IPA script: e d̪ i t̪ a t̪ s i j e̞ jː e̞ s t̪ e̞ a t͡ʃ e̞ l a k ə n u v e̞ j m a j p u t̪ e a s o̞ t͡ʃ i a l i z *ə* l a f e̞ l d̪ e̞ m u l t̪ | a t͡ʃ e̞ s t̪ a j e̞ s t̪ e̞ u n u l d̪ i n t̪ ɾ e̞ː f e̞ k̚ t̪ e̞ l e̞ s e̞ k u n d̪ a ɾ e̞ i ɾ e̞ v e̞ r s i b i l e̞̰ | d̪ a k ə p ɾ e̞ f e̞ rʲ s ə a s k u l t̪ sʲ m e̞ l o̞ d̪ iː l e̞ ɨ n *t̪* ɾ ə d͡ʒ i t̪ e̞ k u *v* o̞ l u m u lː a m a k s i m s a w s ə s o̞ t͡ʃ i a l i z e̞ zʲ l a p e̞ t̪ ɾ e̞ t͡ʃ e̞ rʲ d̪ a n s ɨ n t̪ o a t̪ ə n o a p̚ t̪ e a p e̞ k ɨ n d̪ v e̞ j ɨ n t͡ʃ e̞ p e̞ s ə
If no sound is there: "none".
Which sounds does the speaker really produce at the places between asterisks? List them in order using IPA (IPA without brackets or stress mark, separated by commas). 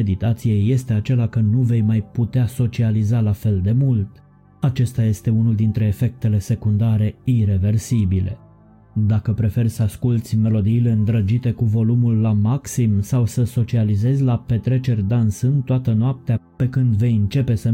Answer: a, d̪, v